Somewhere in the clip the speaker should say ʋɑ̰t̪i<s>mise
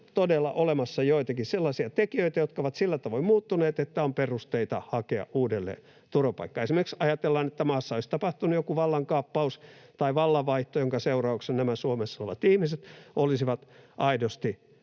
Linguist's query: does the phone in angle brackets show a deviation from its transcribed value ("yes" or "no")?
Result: yes